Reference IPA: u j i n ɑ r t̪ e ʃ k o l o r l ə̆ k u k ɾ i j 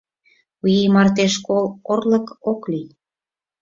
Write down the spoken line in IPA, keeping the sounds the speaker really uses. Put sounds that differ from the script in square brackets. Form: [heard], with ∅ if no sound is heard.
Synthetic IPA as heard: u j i [m] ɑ r t̪ e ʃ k o l o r l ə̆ k [o] k [l] i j